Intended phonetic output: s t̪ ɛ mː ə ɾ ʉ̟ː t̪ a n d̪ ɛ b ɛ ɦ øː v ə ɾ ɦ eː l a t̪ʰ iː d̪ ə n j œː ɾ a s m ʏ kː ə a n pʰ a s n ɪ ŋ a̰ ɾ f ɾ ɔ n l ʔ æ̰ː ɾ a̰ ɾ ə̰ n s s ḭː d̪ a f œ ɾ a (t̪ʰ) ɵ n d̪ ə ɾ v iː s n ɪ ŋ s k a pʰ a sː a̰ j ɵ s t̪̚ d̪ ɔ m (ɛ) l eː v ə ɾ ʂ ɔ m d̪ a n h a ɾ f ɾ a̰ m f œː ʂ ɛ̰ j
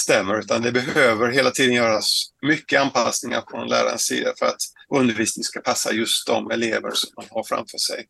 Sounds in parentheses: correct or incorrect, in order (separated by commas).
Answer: incorrect, correct